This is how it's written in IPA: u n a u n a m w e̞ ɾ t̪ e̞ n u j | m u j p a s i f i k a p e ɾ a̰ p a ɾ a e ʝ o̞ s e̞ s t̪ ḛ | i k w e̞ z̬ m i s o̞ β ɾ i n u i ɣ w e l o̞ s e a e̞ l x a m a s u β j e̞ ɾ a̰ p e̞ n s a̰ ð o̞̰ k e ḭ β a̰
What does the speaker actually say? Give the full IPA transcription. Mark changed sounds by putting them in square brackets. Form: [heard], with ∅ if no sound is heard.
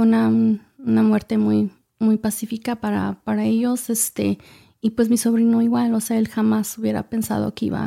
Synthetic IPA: u n a u n a m w e̞ ɾ t̪ e̞ [m] u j | m u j p a s i f i k a p [a] ɾ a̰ p a ɾ a e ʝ o̞ s e̞ s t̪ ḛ | i [p] w e̞ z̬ m i s o̞ β ɾ i n [o] i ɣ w [a] l o̞ s e a e̞ l x a m a s u β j e̞ ɾ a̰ p e̞ n s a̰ ð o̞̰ k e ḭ β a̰